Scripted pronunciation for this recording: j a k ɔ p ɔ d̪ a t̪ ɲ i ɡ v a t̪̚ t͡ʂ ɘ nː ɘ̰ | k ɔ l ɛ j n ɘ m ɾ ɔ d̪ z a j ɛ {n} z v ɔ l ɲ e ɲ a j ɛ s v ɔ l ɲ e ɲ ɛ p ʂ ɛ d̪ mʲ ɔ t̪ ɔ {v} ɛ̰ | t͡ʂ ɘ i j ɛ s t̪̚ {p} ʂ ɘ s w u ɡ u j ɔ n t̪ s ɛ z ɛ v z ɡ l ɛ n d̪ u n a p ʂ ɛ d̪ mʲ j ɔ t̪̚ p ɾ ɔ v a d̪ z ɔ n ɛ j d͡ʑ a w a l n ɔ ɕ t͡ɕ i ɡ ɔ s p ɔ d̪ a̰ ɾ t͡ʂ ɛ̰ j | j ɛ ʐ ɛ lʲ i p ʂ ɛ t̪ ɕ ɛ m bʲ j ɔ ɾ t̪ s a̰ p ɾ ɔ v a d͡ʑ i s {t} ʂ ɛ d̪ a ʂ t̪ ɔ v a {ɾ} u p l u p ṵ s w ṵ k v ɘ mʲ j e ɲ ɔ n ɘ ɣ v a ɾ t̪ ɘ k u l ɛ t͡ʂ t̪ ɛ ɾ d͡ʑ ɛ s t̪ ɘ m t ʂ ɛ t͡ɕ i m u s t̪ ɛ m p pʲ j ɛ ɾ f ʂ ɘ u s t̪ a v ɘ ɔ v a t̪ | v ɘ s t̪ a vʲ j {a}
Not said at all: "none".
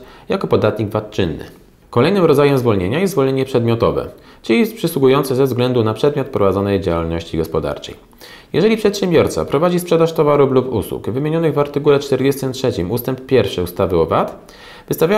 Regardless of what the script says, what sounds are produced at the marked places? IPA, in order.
m, v, p, p, ɾ, a

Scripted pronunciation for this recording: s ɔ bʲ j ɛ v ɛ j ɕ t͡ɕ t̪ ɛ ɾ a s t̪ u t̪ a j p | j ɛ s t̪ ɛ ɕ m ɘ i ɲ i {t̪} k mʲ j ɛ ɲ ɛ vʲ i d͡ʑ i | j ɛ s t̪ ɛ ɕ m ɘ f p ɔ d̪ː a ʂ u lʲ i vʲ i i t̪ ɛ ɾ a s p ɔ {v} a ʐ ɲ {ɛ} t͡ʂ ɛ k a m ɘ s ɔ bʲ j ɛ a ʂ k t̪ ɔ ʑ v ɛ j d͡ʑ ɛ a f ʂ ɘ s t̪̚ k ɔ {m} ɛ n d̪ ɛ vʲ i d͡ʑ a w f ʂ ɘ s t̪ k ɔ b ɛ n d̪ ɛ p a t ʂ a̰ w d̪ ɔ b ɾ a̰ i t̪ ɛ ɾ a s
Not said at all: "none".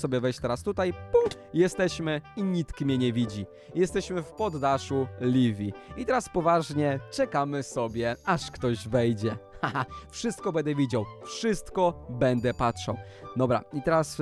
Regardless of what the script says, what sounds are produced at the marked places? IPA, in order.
t̪, v, ɛ, b

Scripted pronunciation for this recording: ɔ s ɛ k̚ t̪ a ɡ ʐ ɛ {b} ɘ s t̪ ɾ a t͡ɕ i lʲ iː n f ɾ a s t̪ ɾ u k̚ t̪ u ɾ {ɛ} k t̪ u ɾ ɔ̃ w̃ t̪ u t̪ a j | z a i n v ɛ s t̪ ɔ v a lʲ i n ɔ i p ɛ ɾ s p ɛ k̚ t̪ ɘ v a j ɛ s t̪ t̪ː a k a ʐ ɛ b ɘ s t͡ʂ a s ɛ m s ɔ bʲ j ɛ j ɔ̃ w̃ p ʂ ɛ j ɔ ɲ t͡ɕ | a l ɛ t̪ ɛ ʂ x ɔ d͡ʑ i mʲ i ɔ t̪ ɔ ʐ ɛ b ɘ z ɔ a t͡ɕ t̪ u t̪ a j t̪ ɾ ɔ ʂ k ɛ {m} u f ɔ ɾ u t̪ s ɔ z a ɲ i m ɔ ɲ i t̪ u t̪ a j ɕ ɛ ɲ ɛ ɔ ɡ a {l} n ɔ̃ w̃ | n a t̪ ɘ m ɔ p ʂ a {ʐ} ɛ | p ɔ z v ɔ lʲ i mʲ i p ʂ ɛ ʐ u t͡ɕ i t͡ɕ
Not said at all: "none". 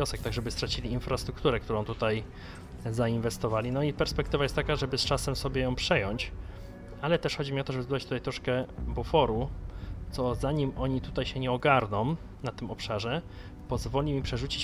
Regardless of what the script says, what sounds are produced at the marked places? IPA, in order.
b, ɛ, b, ɾ, ʐ

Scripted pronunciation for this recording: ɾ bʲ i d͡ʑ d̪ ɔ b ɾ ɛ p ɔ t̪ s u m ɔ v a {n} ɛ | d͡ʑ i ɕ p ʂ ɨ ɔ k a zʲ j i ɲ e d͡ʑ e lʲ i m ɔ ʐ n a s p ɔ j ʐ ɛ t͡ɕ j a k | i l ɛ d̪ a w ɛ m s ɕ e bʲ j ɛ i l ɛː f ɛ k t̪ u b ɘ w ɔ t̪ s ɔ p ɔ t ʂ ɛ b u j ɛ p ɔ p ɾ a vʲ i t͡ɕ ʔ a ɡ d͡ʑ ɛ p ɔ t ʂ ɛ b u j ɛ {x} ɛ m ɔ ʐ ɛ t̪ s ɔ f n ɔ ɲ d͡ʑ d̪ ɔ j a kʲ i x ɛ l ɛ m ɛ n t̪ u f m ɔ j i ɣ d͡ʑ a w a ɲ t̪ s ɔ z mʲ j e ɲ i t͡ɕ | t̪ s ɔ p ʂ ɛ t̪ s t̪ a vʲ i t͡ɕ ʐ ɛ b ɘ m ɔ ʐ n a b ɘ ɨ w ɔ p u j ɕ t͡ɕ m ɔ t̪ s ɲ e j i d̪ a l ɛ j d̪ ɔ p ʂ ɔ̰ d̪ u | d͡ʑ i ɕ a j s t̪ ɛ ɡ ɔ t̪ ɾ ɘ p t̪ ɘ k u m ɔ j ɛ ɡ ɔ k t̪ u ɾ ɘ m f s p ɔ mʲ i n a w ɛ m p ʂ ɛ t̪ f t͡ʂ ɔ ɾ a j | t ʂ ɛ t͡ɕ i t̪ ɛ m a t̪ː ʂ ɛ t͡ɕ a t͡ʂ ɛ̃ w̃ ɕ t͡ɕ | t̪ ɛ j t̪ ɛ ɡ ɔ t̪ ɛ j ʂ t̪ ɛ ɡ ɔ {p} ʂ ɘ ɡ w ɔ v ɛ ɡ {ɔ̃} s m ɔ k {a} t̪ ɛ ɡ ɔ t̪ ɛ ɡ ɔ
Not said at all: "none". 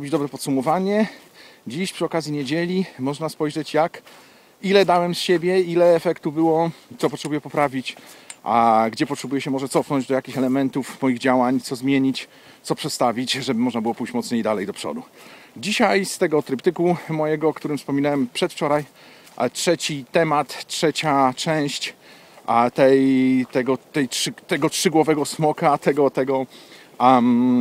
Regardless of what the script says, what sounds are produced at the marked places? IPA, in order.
ɲ, ɕ, t, ɔ, a

